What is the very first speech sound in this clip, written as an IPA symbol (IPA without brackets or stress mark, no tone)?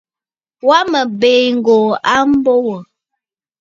w